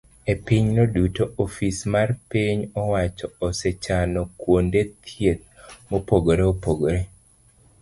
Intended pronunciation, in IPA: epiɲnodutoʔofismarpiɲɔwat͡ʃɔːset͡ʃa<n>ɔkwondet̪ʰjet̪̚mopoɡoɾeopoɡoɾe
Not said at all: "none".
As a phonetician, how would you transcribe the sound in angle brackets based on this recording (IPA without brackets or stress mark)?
n